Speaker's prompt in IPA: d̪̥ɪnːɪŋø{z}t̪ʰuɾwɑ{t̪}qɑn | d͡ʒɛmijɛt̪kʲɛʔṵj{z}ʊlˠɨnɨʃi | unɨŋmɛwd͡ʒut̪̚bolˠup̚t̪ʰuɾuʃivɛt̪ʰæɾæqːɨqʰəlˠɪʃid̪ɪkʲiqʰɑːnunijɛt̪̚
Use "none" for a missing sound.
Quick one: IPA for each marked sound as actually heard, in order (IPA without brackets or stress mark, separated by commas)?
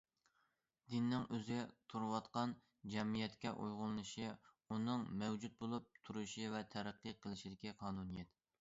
z, t̪, ʁ